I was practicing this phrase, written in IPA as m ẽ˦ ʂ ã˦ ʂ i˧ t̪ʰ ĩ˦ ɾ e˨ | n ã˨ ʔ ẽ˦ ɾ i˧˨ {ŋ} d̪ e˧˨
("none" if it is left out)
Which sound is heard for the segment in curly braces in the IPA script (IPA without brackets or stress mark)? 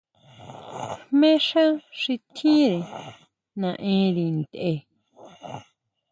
n